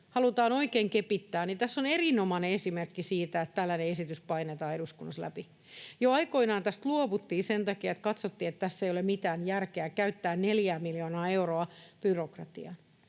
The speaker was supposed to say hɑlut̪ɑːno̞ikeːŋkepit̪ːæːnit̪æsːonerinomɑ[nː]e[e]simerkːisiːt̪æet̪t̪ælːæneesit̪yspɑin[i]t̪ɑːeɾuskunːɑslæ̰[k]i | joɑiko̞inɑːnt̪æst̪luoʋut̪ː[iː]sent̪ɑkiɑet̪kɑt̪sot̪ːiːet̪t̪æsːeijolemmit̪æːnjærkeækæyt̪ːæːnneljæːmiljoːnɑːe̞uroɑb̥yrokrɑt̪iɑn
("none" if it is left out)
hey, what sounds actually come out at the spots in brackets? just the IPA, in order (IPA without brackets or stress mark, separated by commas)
n, e, e, p, iː